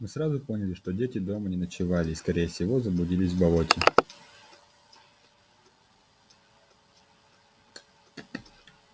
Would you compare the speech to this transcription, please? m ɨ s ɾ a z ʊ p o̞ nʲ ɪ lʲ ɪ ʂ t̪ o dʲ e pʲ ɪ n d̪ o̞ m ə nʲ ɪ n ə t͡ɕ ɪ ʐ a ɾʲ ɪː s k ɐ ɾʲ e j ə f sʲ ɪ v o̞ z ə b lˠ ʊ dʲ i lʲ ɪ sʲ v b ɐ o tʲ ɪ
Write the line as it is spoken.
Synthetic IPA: m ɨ s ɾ a z ʊ p o̞ nʲ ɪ lʲ ɪ ʂ t̪ o dʲ e tʲ ɪ d̪ o̞ m ə nʲ ɪ n ə t͡ɕ ɪ v a lʲ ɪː s k ɐ ɾʲ e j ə f sʲ ɪ v o̞ z ə b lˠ ʊ dʲ i lʲ ɪ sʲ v b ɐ o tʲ ɪ